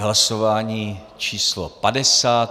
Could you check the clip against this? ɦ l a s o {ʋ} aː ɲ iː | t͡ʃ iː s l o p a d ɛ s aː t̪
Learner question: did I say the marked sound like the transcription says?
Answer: no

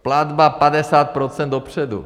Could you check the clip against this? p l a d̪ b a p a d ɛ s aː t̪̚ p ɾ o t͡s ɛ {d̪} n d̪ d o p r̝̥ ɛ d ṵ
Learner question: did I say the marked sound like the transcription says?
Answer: no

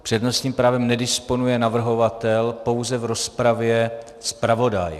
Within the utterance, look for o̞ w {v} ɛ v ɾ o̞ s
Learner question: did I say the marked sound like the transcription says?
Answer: no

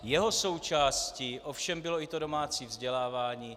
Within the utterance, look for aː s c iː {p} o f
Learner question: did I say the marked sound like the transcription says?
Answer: no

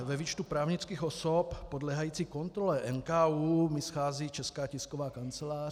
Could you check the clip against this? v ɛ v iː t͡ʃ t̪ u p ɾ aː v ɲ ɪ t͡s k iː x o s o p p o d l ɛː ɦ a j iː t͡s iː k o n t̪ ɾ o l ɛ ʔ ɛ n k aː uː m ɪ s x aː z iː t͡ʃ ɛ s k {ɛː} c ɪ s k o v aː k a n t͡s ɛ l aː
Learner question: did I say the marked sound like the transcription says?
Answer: no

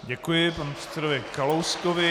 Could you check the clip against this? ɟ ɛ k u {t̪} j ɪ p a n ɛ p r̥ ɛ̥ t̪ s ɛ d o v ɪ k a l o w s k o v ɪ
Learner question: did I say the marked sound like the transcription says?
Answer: no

